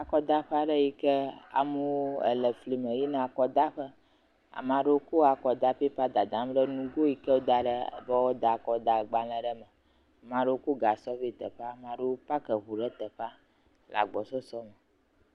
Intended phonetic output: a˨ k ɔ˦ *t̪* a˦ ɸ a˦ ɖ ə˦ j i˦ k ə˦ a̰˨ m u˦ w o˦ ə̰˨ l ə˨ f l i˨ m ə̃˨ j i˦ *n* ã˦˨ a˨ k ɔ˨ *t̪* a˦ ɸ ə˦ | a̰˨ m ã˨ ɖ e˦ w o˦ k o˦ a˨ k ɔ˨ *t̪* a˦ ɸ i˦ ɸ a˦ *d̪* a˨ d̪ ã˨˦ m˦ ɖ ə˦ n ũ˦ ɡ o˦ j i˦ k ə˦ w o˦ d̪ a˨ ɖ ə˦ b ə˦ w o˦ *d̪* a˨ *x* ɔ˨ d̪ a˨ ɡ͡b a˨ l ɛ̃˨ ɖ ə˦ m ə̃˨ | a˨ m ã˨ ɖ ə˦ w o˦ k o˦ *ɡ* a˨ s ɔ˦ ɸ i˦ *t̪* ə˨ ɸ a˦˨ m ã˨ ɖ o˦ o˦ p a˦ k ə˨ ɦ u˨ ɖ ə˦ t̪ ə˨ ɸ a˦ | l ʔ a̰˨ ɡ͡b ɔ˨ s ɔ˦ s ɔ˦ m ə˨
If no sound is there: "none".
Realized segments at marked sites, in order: d̪, n, d̪, d̪, d̪, d̪, k, ɡ, t̪

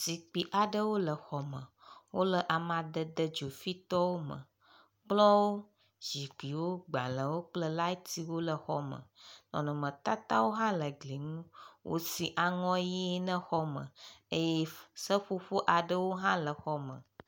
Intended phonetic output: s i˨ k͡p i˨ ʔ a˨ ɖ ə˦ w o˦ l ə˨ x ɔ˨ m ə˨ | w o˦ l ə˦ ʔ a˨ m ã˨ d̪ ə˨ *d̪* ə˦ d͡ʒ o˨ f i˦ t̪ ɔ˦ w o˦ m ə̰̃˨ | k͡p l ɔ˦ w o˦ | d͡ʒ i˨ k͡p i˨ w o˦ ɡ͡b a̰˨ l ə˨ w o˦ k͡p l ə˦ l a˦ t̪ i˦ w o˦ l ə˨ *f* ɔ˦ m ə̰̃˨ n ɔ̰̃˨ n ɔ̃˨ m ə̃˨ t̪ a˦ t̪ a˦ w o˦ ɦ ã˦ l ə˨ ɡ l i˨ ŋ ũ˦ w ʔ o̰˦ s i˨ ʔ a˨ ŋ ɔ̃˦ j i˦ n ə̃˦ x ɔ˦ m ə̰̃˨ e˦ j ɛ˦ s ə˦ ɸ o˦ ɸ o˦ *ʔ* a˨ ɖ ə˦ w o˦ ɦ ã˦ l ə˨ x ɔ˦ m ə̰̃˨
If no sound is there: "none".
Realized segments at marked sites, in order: d̪, x, ʔ

